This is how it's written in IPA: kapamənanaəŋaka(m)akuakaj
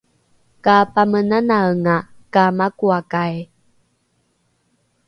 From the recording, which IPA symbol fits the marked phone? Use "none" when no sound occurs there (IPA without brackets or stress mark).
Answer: m